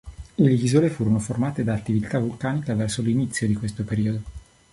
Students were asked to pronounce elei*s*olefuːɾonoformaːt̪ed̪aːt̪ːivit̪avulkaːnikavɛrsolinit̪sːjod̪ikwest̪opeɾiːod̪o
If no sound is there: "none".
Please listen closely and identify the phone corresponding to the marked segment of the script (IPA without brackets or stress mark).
z